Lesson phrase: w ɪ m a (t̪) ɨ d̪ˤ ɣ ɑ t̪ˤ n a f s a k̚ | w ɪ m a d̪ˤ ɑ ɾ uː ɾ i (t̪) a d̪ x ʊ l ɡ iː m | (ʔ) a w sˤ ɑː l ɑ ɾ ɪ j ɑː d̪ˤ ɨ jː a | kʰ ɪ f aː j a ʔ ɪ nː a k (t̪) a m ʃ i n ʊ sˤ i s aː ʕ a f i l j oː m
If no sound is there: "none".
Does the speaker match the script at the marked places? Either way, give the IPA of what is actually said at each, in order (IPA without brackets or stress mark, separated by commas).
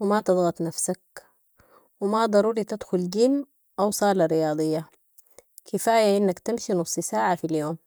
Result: t̪, t̪, ʔ, t̪